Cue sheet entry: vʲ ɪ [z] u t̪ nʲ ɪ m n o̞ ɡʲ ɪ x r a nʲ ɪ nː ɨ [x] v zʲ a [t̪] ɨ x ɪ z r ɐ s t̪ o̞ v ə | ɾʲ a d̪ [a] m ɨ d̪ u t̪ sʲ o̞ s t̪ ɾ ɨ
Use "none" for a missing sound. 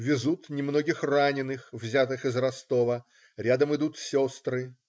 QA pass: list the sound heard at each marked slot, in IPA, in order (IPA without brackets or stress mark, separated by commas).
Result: z, x, t̪, ə